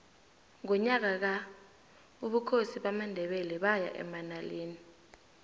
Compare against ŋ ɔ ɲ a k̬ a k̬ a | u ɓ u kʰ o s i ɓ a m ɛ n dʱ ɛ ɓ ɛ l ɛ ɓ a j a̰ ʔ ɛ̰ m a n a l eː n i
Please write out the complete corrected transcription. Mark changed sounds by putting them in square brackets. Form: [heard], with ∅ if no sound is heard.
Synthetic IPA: ŋ ɔ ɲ a k̬ a k̬ a | u ɓ u kʰ o s i ɓ a m [a] n dʱ ɛ ɓ ɛ l ɛ ɓ a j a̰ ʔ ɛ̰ m a n a l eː n i